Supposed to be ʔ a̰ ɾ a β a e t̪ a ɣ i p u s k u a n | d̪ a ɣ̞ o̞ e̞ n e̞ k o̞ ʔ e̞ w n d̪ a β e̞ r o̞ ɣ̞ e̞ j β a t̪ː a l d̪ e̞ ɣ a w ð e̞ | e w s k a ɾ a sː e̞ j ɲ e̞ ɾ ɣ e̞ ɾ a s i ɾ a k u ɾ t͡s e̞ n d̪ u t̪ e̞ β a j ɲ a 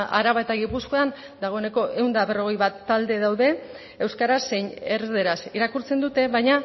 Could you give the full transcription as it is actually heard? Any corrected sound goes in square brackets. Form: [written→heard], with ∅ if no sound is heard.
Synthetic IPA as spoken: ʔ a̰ ɾ a β a e t̪ a ɣ i p u s k [u→o] a n | d̪ a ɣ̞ o̞ e̞ n e̞ k o̞ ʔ e̞ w n d̪ a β e̞ r o̞ ɣ̞ e̞ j β a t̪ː a l d̪ e̞ [ɣ→ð] a w ð e̞ | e w s k a ɾ a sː e̞ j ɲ e̞ ɾ [ɣ→ð] e̞ ɾ a s i ɾ a k u ɾ t͡s e̞ n d̪ u t̪ e̞ β a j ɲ a